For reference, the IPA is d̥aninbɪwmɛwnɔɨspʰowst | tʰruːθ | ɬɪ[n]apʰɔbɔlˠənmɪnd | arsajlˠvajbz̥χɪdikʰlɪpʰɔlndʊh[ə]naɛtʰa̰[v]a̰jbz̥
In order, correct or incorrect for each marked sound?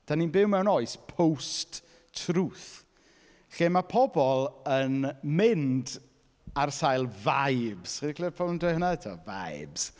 incorrect: m, correct, correct

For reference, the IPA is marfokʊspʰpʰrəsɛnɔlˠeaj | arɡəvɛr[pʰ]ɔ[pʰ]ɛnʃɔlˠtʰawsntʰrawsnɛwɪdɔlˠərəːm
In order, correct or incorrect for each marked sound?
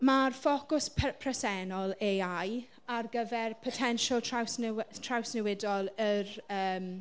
correct, incorrect: tʰ

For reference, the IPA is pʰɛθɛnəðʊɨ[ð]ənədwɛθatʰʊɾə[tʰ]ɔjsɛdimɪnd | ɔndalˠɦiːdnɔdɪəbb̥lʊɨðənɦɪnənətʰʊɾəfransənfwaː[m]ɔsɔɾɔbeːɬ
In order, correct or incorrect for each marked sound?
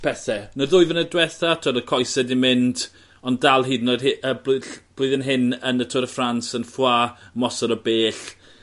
incorrect: v, incorrect: kʰ, correct

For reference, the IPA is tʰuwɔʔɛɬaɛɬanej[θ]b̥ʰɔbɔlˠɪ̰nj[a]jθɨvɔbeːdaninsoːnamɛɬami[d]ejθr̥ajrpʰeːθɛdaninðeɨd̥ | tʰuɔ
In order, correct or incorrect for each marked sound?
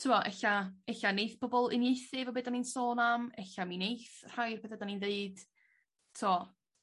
correct, incorrect: e, incorrect: n

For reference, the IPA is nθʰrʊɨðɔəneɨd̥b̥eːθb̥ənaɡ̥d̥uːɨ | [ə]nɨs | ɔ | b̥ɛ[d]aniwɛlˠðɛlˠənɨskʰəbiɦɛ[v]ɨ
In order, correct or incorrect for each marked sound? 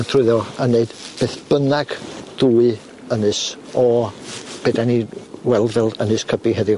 correct, correct, incorrect: ð

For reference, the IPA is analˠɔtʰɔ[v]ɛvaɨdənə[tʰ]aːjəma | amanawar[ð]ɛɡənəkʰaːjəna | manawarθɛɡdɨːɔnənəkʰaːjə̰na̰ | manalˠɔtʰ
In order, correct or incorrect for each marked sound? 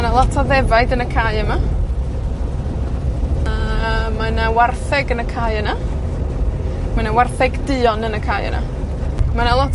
incorrect: ð, incorrect: kʰ, incorrect: θ

